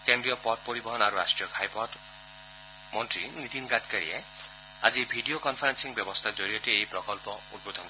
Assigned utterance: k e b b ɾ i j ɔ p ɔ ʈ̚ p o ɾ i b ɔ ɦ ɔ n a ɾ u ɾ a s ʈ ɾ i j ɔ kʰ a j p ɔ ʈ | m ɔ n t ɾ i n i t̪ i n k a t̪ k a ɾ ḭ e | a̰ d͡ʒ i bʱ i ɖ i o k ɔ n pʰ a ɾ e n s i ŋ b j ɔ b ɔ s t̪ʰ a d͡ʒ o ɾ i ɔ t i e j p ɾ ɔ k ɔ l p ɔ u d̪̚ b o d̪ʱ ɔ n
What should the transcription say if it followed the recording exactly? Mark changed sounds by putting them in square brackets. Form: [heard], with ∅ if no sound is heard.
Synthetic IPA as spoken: k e [m] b ɾ i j ɔ p ɔ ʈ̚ p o ɾ i b ɔ ɦ ɔ n a ɾ u ɾ a s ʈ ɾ i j ɔ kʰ a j p ɔ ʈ | m ɔ n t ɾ i n i t̪ i n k a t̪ k a ɾ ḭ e | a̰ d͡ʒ i bʱ i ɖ i o k ɔ n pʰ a ɾ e n s i ŋ b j ɔ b ɔ s t̪ʰ a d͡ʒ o ɾ i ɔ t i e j p ɾ ɔ k ɔ l p ɔ u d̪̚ b o d̪ʱ ɔ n